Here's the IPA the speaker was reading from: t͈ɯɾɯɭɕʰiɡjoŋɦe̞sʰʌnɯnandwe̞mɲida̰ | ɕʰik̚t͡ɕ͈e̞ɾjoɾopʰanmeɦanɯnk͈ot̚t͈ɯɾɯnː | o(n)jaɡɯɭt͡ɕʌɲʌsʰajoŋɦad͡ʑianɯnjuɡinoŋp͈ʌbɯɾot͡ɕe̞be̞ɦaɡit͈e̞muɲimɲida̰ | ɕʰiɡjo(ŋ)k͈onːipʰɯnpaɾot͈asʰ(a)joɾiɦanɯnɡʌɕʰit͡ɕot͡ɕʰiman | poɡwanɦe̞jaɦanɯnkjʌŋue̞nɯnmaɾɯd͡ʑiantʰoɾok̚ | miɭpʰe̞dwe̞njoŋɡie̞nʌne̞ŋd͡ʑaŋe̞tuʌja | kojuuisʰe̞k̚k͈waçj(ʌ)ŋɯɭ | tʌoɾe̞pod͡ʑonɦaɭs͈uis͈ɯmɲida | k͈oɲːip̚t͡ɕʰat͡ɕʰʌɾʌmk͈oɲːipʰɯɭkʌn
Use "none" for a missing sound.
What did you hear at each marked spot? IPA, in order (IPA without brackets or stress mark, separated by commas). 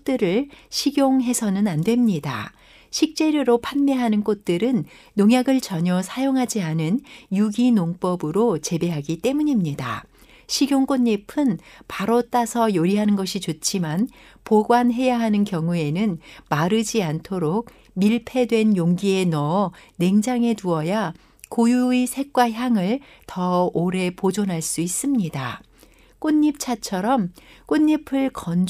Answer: ŋ, ŋ, ʌ, a